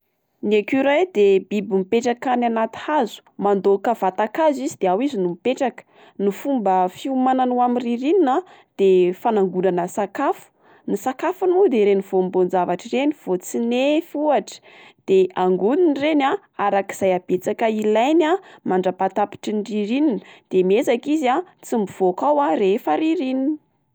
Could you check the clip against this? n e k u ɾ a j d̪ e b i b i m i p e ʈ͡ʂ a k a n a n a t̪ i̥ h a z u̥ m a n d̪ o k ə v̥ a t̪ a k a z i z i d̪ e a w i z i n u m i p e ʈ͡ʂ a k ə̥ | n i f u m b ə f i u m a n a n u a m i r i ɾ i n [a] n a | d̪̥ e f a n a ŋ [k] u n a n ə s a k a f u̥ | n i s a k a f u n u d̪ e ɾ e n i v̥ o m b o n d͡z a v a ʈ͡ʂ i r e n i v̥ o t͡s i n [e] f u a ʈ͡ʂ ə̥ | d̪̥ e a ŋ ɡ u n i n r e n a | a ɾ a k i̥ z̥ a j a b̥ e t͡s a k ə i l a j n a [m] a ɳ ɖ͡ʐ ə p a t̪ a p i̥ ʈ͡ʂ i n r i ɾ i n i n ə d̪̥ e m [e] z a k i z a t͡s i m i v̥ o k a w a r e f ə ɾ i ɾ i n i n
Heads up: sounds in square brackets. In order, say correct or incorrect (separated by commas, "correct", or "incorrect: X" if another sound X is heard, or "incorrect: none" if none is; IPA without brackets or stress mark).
incorrect: i, incorrect: ɡ, correct, correct, correct